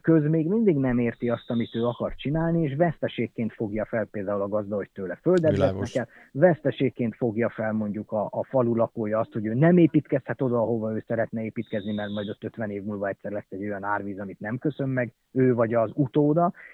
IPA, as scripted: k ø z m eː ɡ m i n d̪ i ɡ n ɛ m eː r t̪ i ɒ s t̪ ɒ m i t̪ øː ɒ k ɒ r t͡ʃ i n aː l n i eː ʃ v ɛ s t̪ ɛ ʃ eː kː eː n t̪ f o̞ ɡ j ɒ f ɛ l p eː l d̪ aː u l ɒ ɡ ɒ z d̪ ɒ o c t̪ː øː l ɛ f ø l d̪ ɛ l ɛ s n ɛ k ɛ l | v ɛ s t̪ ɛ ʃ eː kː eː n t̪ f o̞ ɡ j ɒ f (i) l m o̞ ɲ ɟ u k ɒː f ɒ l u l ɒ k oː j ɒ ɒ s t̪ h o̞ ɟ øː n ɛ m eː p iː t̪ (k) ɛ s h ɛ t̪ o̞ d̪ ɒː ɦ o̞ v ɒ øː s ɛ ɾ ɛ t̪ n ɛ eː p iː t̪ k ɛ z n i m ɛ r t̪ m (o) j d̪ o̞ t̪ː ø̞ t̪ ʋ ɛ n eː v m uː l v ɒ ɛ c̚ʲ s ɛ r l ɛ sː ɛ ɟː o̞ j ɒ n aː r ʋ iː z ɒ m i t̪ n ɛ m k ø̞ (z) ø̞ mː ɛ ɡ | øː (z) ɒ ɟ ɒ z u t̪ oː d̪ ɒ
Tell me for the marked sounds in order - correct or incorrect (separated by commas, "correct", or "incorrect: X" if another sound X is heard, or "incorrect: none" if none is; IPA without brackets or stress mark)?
incorrect: ɛ, correct, incorrect: ɒ, incorrect: s, incorrect: v